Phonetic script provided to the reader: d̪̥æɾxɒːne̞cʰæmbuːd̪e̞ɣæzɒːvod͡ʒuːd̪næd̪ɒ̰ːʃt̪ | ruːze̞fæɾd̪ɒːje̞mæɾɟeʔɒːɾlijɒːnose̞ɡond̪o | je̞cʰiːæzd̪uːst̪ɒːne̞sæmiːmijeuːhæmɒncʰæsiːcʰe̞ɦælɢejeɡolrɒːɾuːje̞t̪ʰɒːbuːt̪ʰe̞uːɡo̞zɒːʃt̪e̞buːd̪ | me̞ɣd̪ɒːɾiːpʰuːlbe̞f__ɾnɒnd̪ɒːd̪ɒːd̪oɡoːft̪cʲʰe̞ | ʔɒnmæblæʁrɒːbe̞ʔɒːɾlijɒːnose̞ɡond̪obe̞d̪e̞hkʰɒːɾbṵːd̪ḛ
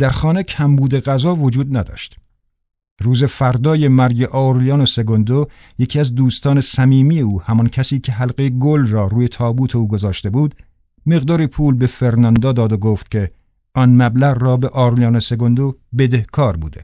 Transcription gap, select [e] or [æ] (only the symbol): e